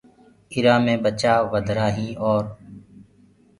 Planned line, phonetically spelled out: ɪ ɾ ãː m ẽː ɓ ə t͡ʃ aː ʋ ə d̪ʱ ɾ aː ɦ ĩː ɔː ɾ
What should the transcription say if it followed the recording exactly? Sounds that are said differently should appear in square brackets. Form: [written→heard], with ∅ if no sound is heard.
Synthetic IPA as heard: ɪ ɾ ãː m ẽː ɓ ə t͡ʃ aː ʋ ə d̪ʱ ɾ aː ɦ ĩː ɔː ɾ